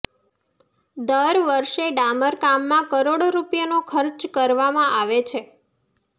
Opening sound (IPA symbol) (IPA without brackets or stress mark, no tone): d̪